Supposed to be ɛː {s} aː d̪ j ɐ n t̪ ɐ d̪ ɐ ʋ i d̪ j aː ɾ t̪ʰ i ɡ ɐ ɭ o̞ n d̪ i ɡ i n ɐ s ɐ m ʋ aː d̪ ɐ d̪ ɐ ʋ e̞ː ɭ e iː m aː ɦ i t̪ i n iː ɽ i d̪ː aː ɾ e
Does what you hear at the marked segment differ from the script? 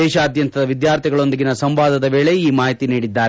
yes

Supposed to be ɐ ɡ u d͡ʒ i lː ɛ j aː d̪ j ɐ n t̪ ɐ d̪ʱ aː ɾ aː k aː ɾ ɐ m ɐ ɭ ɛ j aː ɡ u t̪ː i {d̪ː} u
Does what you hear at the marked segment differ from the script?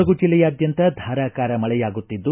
no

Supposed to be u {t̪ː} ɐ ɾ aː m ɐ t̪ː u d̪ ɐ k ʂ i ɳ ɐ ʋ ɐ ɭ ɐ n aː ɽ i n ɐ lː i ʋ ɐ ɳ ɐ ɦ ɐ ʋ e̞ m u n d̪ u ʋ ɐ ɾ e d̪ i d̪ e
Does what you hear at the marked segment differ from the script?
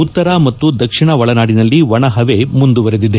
no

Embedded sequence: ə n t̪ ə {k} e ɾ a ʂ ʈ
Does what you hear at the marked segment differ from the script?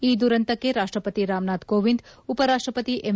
no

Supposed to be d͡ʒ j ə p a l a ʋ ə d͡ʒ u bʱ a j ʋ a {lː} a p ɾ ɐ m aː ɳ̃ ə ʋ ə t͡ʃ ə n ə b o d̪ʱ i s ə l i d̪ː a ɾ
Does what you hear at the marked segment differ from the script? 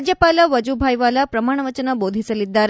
yes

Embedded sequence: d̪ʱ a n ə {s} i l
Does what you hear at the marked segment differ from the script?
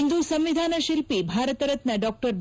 yes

